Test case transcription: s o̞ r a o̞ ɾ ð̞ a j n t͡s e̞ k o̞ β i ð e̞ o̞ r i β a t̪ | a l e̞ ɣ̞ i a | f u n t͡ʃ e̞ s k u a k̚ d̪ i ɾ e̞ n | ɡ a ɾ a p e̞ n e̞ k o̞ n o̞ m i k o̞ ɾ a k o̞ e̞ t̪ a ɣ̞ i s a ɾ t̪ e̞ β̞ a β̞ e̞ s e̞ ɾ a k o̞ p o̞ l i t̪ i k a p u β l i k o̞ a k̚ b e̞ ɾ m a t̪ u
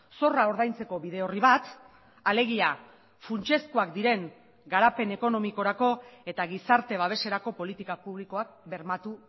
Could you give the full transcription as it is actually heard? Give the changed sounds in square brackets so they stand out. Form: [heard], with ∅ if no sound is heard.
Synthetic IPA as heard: s o̞ r a o̞ ɾ ð̞ a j n t͡s e̞ k o̞ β i ð e̞ o̞ r i β a t̪ | a l e̞ ɣ̞ i a | f u n t͡ʃ e̞ s k u a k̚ d̪ i ɾ e̞ [ŋ] | ɡ a ɾ a p e̞ n e̞ k o̞ n o̞ m i k o̞ ɾ a k o̞ e̞ t̪ a ɣ̞ i s a ɾ t̪ e̞ β̞ a β̞ e̞ s e̞ ɾ a k o̞ p o̞ l i t̪ i k a p u β l i k o̞ a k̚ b e̞ ɾ m a t̪ u